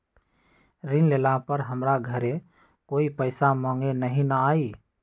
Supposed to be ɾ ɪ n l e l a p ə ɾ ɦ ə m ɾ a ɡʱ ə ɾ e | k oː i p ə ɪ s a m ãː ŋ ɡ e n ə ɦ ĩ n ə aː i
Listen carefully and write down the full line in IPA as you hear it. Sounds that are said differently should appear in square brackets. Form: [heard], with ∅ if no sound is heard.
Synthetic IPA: ɾ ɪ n l e l a p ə ɾ ɦ ə m ɾ a ɡʱ ə ɾ e | k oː i p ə ɪ s a m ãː ŋ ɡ e n ə ɦ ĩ n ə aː i